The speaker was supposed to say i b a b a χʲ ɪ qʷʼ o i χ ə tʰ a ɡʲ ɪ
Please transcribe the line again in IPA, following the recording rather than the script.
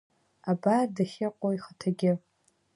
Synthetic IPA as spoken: a b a d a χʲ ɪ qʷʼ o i χ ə tʰ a ɡʲ ɪ